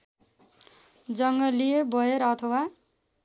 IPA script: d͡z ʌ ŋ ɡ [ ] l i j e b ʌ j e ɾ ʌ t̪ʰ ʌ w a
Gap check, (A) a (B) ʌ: B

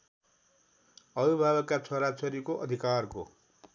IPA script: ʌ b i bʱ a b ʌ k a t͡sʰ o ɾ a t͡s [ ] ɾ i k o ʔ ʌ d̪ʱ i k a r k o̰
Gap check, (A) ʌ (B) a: A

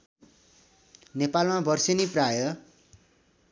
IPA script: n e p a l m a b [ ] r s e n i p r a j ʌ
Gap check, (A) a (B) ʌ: B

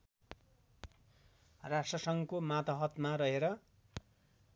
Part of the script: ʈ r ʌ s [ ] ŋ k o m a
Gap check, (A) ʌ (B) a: A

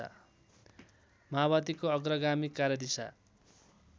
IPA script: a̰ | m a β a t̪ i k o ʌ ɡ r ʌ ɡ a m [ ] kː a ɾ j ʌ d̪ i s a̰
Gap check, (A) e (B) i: B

